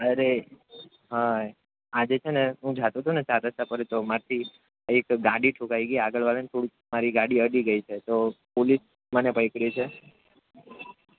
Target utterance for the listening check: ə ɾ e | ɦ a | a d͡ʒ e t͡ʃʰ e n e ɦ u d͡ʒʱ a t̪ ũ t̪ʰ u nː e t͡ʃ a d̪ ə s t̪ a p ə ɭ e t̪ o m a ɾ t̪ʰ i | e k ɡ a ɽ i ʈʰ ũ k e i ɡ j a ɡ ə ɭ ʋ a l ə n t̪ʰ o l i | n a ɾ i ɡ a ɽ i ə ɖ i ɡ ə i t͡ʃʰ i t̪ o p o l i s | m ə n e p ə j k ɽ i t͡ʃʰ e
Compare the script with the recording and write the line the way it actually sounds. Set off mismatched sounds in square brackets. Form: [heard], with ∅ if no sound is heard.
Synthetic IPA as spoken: ə ɾ e | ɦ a | a d͡ʒ e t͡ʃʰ e n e ɦ [ũ] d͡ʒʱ a t̪ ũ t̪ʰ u [n] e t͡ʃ a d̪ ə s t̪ a p ə [ɾ] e t̪ o m a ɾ t̪ʰ i | e k ɡ a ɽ i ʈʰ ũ k [a] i ɡ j a ɡ ə ɭ ʋ a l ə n t̪ʰ o [ɽ] i | [m] a ɾ i ɡ a ɽ i ə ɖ i ɡ ə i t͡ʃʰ [e] t̪ o p o l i s | m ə n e p ə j k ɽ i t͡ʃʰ e